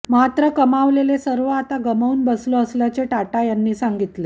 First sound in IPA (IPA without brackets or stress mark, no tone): m